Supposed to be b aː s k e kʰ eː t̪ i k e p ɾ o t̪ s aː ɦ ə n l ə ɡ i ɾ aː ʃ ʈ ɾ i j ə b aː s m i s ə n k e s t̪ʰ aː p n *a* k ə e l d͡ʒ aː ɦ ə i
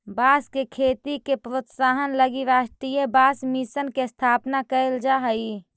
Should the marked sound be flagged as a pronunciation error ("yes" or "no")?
no